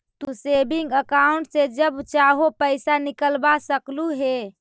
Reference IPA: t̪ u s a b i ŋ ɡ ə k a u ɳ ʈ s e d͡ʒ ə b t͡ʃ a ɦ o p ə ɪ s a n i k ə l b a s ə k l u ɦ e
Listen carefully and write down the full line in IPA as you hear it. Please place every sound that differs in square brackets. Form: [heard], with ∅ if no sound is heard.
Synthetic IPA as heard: t̪ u s [e] b i ŋ ɡ ə k a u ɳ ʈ s e d͡ʒ ə b t͡ʃ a ɦ o p ə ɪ s a n i k ə l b a s ə k l u ɦ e